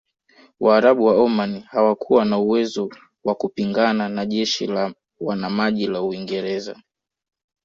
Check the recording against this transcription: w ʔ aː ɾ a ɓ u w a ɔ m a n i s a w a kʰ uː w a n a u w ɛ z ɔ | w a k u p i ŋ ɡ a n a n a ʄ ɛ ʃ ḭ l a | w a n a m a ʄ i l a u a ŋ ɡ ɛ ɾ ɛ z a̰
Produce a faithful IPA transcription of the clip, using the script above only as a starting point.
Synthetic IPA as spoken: w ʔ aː ɾ a ɓ u w a ɔ m a n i h a w a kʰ u w a n a u w ɛ z ɔ | w a k u p i ŋ ɡ a n a n a ʄ ɛ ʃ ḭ l a | w a n a m a ʄ i l a u i ŋ ɡ ɛ ɾ ɛ z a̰